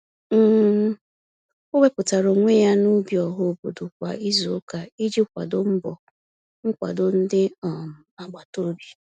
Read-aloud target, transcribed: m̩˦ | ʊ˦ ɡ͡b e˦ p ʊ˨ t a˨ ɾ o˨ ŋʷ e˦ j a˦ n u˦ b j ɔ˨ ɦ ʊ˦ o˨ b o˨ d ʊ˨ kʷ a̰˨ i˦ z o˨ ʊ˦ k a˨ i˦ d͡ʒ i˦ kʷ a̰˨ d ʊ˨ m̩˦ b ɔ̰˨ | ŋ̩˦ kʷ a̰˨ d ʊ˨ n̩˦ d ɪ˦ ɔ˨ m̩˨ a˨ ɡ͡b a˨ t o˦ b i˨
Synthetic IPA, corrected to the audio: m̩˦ | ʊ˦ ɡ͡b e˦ p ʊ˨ t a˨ ɾ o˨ ŋʷ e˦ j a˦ n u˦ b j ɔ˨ ɦ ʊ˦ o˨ b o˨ d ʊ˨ kʷ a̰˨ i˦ z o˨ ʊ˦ k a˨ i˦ d͡ʒ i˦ kʷ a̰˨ d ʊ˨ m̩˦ b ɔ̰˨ | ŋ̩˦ kʷ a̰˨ d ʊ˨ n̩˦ d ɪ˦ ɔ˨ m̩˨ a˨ ɡ͡b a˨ t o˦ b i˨